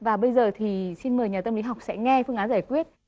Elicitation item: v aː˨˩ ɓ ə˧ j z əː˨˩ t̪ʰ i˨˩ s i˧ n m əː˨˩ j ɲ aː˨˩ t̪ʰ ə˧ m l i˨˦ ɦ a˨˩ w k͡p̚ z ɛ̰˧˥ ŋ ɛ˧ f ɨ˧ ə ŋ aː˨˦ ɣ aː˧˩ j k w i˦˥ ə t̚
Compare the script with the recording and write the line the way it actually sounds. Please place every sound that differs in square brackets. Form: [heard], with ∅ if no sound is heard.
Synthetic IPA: v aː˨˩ ɓ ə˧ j z əː˨˩ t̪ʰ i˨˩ s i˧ n m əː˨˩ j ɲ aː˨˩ [t̪] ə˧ m l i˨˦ ɦ a˨˩ w k͡p̚ [s] ɛ̰˧˥ ŋ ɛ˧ f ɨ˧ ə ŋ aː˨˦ [z] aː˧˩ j k w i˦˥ ə t̚